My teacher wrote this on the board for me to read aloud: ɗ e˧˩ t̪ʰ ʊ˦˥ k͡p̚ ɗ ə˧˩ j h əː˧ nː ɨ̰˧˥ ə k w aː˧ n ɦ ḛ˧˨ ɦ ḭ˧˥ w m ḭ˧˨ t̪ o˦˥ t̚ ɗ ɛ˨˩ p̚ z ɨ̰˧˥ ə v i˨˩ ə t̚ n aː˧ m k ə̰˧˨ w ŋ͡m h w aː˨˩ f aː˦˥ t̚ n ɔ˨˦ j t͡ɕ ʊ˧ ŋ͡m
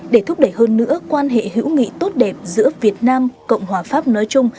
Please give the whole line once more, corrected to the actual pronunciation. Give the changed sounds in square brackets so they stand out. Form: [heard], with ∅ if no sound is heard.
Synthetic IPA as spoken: ɗ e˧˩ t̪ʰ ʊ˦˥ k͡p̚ ɗ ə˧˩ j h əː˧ nː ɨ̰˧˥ ə k w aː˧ n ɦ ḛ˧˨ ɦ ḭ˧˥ w [ŋ] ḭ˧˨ t̪ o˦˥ t̚ ɗ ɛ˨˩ p̚ z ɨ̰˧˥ ə v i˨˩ ə t̚ n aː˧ m k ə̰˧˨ w ŋ͡m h w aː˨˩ f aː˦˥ [p̚] n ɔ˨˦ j t͡ɕ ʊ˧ ŋ͡m